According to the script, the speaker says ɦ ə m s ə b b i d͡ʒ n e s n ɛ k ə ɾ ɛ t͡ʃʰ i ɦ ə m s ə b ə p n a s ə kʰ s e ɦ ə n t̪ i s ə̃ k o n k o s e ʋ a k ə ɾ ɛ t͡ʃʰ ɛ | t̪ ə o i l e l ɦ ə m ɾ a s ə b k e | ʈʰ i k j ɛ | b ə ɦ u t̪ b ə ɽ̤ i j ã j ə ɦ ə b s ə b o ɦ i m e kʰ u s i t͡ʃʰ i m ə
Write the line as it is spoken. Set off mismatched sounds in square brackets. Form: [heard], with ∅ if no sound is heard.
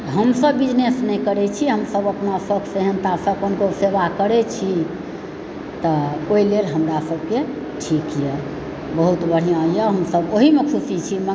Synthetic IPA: ɦ ə m s ə b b i d͡ʒ n e s n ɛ k ə ɾ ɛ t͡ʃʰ i ɦ ə m s ə b ə p n a s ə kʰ s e ɦ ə n t̪ [a] s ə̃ k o n k o s e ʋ a k ə ɾ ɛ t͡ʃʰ [i] | t̪ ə o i l e l ɦ ə m ɾ a s ə b k e | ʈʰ i k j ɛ | b ə ɦ u t̪ b ə ɽ̤ i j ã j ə ɦ ə [m] s ə b o ɦ i m e kʰ u s i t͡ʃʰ i m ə